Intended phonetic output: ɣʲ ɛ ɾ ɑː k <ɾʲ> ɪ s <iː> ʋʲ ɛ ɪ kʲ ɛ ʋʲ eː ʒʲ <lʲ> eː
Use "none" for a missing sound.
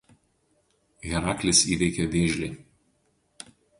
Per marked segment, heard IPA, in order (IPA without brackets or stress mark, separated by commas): lʲ, iː, lʲ